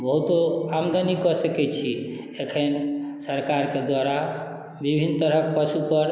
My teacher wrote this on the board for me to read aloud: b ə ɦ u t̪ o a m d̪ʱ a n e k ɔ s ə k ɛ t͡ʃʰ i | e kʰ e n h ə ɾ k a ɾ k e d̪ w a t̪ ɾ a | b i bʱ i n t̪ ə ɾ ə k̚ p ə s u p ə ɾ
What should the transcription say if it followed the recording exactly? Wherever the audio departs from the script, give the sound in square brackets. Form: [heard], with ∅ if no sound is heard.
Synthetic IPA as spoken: b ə ɦ u t̪ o a m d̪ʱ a n [i] k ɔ s ə k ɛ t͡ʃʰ i | e kʰ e n [s] ə ɾ k a ɾ k e d̪ w a [∅] ɾ a | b i bʱ i n t̪ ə ɾ ə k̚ p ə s u p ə ɾ